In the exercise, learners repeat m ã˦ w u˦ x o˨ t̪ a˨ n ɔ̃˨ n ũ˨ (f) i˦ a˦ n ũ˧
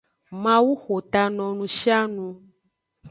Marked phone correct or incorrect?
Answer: incorrect